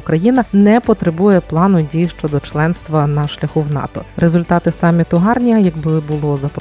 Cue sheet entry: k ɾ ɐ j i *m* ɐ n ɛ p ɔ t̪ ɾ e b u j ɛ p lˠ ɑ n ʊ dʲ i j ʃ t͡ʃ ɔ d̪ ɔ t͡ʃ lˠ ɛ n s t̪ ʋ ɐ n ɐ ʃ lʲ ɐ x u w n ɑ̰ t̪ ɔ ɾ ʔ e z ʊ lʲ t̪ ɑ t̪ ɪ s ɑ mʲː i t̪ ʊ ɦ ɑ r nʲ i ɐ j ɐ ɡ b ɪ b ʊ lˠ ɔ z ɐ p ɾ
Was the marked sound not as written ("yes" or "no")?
yes